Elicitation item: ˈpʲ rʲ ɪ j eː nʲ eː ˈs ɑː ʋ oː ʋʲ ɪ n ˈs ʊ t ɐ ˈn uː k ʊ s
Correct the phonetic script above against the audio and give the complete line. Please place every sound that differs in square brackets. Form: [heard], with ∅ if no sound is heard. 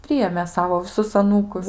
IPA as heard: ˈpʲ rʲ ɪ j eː [mʲ] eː ˈs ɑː ʋ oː ʋʲ ɪ [∅] ˈs ʊ [s] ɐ ˈn uː k ʊ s